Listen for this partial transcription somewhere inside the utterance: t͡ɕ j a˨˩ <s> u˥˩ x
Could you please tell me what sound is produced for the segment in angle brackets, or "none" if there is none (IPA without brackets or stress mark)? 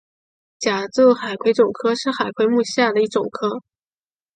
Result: t͡s